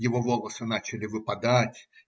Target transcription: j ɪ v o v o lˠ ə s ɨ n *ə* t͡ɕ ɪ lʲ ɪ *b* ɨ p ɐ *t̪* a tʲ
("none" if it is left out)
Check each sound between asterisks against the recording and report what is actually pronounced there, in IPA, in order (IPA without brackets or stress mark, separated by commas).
a, v, d̪